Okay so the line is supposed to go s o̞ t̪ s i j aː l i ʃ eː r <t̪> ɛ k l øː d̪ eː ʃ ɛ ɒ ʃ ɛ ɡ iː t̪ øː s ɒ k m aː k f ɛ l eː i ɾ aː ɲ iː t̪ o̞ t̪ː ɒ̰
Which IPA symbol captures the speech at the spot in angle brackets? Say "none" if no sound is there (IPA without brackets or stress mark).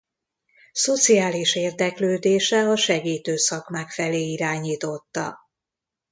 d̪